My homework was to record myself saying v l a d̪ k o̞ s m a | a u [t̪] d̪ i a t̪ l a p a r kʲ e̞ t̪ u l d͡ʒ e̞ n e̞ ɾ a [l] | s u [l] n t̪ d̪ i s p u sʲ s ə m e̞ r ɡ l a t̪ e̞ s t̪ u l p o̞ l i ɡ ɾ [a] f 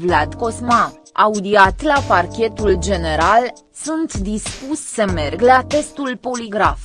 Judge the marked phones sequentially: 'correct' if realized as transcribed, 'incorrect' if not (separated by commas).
incorrect, correct, incorrect, correct